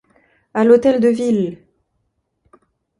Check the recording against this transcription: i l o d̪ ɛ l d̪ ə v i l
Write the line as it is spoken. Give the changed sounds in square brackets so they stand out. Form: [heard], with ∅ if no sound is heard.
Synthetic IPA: [a] l o [t̪] ɛ l d̪ ə v i l